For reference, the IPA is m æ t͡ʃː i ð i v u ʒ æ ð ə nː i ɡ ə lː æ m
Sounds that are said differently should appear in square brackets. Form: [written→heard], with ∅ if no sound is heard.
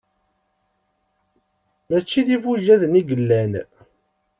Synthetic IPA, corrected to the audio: m æ t͡ʃː i ð i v u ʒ æ ð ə [nː→n] i ɡ ə lː æ [m→n]